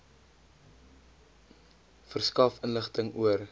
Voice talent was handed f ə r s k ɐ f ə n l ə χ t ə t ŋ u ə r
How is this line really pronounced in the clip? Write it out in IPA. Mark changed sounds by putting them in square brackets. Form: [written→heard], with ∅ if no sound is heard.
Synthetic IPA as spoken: f ə r s k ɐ f ə n l ə χ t ə [t→∅] ŋ u ə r